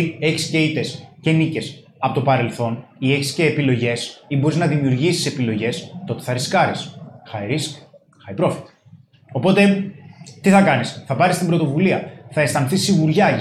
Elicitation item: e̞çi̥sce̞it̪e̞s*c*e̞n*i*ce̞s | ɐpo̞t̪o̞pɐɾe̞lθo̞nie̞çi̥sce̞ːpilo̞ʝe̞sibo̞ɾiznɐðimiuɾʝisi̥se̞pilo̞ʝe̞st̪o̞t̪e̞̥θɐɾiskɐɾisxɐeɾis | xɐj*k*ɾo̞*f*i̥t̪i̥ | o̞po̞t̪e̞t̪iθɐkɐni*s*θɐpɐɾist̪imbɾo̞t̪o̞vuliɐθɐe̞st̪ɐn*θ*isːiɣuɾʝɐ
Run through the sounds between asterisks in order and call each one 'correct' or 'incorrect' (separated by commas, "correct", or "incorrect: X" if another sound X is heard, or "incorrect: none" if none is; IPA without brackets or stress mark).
correct, correct, incorrect: p, correct, correct, correct